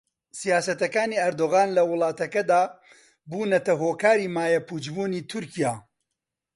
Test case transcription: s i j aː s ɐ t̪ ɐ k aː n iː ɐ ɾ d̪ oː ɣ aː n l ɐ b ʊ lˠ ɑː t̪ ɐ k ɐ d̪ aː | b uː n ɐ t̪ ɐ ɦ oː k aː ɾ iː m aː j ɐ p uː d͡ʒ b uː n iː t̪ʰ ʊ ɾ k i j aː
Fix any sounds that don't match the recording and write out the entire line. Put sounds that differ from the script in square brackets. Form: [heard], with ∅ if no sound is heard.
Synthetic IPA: s i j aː s ɐ t̪ ɐ k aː n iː ɐ ɾ d̪ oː ɣ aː n l ɐ [w] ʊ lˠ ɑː t̪ ɐ k ɐ d̪ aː | b uː n ɐ t̪ ɐ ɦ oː k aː ɾ iː m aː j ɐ p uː d͡ʒ b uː n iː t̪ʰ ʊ ɾ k i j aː